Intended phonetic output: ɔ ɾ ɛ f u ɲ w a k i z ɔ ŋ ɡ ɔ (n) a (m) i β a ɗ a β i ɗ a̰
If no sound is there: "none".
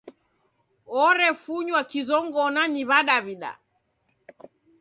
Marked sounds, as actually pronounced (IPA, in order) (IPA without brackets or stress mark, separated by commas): n, n